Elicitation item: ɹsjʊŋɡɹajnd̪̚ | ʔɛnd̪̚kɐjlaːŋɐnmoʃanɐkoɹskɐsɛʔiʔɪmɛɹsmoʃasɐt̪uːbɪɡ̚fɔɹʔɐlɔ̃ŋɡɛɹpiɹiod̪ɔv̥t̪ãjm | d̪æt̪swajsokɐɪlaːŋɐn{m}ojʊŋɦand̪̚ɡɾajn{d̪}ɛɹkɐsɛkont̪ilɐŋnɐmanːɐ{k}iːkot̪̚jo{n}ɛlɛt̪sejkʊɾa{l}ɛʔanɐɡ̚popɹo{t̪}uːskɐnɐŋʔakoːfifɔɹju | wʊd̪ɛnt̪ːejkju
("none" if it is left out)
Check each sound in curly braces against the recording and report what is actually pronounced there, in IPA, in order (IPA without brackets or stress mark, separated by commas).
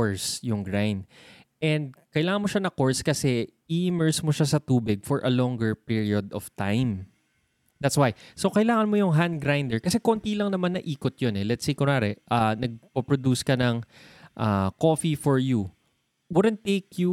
m, d̪, ʔ, n, ɾ, d̪